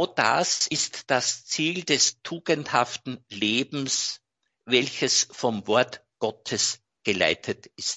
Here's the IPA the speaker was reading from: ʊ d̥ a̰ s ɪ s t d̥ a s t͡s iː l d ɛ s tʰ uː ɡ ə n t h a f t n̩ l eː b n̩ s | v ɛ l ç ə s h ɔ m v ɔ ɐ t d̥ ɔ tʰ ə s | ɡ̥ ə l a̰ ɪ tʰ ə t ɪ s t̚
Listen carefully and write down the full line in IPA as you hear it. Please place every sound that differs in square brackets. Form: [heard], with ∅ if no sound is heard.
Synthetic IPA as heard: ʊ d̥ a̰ s ɪ s t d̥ a s t͡s iː l d ɛ s tʰ uː ɡ ə n t h a f t n̩ l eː b [m̩] s | v ɛ l ç ə s [f] ɔ m v ɔ ɐ t [ɡ̥] ɔ tʰ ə s | ɡ̥ ə l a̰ ɪ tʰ ə t ɪ s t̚